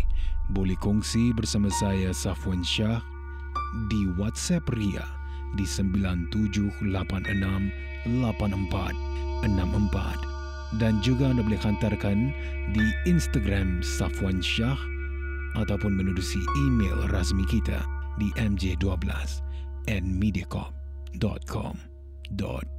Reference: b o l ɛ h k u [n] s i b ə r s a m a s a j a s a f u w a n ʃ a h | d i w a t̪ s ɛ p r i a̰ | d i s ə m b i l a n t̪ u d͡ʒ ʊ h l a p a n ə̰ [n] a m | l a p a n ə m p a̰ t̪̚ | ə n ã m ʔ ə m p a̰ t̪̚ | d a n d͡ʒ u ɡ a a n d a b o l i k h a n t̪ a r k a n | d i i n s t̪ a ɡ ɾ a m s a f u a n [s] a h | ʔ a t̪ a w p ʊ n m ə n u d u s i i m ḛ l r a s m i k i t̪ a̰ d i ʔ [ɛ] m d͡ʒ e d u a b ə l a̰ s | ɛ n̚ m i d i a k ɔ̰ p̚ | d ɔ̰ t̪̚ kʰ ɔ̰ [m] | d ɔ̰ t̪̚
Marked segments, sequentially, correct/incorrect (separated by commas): incorrect, correct, incorrect, correct, correct